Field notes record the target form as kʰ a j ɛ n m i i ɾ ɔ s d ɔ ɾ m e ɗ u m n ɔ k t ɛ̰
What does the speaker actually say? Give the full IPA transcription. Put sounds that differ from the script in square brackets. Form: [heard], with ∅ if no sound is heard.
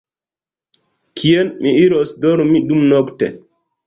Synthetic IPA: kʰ [i] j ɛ n m i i ɾ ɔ s d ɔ ɾ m [i] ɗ u m n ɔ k t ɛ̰